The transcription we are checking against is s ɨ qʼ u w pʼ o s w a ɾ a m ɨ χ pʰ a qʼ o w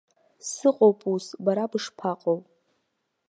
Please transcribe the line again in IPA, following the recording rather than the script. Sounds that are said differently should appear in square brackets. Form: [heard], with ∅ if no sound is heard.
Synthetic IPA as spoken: s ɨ qʼ [o] w pʼ [u] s [b] a ɾ a [b] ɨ [ʂ] pʰ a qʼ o w